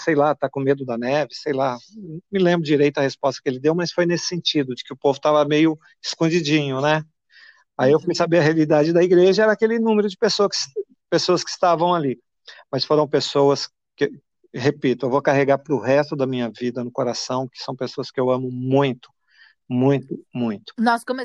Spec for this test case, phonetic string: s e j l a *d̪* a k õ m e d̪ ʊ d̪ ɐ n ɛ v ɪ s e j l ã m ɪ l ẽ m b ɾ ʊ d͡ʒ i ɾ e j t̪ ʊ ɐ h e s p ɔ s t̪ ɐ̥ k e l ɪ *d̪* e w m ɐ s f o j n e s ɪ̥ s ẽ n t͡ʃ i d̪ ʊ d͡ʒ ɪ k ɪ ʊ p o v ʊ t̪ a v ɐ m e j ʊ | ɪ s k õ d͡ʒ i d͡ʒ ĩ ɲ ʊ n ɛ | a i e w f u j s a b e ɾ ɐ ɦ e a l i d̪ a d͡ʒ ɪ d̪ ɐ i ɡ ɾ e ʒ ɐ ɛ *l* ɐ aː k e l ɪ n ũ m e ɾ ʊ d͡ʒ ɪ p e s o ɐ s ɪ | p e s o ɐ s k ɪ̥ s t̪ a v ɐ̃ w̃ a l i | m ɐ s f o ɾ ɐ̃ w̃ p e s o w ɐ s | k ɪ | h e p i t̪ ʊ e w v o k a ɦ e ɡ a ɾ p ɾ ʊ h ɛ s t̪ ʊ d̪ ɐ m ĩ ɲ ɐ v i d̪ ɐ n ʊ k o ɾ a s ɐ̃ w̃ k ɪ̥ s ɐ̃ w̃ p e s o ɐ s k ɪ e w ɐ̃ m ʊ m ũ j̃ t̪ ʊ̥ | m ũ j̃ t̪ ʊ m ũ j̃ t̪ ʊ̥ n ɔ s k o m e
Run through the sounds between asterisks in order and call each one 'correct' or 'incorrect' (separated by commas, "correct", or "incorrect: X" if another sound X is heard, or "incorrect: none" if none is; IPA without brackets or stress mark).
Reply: incorrect: t̪, correct, incorrect: ɾ